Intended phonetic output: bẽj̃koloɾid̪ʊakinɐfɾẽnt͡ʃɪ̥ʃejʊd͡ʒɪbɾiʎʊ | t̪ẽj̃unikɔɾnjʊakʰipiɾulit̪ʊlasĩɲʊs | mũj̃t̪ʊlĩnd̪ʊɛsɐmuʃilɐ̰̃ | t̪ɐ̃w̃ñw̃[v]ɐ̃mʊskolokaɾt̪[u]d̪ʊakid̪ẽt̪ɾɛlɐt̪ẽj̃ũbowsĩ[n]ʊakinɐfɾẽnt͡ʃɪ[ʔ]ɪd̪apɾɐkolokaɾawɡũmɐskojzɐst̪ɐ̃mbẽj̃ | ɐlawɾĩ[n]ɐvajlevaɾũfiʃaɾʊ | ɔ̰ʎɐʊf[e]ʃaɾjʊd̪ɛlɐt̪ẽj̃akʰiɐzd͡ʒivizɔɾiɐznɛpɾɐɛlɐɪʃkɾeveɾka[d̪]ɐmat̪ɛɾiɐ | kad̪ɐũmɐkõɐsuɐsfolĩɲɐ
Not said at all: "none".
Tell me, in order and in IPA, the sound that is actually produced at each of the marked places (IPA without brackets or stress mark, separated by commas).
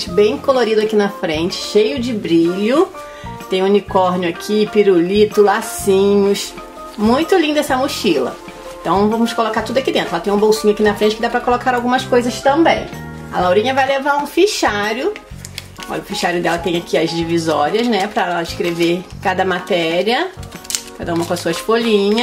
v, u, ɲ, k, ɲ, i, d̪